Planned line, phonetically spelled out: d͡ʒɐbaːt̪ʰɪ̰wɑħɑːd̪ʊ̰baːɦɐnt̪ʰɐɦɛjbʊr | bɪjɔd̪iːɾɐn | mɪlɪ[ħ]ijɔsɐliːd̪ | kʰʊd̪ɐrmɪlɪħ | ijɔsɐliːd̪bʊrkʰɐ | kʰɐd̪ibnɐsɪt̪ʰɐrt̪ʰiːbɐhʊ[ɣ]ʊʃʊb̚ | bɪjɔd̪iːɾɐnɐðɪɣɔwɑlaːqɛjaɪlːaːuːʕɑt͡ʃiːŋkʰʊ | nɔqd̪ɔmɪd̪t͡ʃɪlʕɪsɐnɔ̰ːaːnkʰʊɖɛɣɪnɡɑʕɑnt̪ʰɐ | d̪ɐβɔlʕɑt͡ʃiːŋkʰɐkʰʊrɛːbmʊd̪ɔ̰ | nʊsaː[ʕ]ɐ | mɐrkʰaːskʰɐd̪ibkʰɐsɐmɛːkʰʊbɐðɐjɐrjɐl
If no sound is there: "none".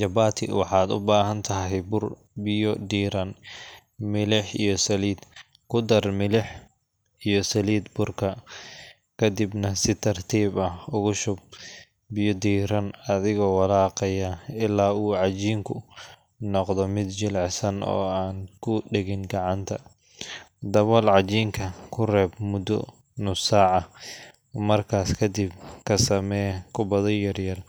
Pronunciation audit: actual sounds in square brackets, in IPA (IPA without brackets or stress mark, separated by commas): ħ, ɣ, ʕ